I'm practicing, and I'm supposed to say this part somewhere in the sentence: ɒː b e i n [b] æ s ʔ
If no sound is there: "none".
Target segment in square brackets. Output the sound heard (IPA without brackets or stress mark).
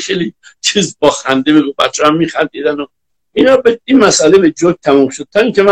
m